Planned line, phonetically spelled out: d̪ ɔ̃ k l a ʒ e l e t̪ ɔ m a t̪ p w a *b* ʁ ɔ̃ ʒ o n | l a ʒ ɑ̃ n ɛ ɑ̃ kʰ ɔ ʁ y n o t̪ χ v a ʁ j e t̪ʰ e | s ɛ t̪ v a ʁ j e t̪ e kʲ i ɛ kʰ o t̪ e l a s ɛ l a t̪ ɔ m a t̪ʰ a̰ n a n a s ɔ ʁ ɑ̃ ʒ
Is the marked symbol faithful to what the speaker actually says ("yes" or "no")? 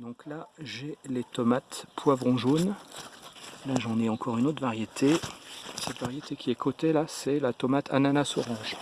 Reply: no